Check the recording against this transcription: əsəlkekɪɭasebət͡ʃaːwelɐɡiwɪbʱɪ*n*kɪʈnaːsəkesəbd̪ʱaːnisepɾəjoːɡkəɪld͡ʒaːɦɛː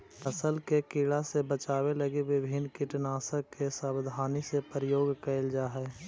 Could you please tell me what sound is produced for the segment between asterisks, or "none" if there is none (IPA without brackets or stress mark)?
n